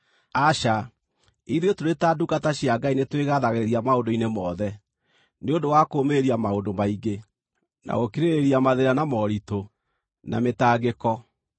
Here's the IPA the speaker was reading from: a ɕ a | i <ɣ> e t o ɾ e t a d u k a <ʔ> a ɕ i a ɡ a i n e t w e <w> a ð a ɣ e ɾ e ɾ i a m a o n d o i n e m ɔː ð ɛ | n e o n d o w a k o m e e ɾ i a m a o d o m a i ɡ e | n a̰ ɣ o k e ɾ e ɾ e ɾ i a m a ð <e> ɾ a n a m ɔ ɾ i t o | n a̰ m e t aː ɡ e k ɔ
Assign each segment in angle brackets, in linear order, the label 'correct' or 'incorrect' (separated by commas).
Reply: incorrect, incorrect, incorrect, correct